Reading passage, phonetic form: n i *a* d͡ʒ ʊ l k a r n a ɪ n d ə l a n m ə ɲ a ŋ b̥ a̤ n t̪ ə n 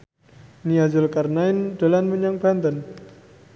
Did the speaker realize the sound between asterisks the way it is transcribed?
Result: yes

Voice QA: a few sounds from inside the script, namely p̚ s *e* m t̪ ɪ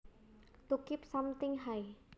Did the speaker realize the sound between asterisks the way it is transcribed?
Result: no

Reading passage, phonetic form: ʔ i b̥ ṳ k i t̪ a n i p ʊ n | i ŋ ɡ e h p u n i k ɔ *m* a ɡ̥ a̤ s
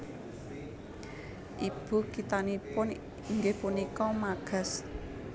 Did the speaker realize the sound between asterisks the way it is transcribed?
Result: yes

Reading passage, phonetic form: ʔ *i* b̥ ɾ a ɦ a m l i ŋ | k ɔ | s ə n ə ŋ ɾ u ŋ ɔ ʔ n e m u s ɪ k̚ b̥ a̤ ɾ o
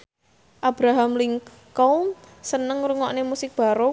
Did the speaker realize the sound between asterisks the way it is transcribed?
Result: no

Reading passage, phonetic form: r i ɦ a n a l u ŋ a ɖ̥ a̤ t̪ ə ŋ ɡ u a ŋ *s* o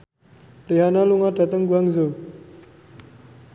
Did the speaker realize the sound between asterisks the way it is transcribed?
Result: no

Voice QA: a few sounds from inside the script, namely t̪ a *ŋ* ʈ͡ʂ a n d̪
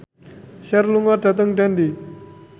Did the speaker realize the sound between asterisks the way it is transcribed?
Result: yes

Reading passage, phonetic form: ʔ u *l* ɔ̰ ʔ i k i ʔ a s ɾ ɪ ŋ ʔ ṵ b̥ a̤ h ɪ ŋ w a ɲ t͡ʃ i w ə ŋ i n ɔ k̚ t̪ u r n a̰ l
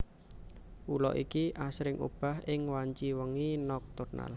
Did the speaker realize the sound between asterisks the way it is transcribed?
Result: yes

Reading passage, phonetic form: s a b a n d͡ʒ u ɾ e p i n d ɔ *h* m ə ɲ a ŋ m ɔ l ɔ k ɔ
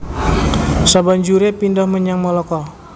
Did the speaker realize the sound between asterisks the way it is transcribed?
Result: yes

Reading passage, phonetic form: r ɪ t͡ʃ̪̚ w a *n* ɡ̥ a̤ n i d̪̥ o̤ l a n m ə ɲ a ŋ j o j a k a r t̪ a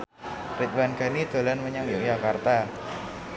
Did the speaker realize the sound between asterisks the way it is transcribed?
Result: yes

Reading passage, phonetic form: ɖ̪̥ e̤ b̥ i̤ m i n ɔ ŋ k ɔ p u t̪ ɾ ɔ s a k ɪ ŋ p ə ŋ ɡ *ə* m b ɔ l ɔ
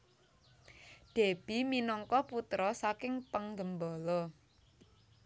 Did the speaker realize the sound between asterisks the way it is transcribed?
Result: yes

